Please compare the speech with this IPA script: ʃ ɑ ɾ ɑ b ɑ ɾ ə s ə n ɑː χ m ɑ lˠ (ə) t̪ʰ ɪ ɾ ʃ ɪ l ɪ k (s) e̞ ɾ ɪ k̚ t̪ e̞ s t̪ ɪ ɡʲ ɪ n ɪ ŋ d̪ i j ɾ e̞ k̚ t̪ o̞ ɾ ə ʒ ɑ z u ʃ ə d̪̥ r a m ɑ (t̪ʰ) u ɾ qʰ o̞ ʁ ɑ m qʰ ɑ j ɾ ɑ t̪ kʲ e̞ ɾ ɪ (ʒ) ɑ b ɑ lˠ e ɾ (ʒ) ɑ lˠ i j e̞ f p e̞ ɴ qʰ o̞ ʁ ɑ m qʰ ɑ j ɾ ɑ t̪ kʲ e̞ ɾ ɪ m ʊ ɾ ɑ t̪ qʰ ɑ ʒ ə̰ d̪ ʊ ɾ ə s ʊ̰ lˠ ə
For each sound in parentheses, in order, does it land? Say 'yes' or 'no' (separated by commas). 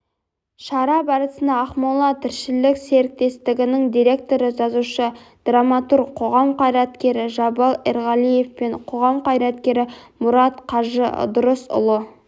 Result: no, yes, no, yes, no